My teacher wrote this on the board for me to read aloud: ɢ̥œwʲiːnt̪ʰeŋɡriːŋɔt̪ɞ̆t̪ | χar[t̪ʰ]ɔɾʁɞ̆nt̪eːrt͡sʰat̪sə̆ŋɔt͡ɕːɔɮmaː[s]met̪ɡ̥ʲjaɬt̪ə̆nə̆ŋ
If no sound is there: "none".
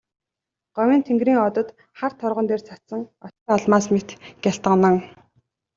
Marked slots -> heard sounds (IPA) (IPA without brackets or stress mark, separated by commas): t̪ʰ, s